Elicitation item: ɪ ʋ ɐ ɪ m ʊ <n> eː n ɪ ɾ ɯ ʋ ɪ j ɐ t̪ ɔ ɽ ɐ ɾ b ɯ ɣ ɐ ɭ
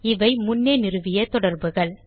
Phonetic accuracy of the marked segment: incorrect: nː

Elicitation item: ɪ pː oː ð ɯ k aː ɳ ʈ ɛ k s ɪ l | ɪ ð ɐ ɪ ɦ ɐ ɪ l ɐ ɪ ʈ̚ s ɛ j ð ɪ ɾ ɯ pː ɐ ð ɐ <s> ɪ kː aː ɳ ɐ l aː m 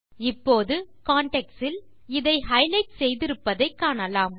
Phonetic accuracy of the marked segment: incorrect: none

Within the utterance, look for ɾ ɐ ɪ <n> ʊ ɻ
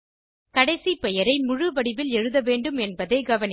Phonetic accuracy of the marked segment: incorrect: m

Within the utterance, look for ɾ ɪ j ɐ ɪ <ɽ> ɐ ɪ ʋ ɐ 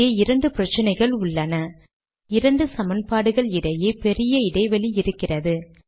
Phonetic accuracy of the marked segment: correct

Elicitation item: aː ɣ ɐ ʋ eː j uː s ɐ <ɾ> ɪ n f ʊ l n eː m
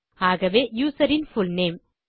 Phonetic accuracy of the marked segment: correct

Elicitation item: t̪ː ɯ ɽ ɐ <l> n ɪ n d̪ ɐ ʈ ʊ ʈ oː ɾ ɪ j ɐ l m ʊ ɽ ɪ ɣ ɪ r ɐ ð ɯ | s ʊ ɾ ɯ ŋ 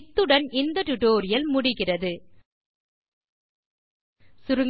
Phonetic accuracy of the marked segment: incorrect: none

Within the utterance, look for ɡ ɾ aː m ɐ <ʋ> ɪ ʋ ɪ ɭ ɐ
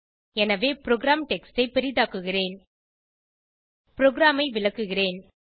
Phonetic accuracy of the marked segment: incorrect: none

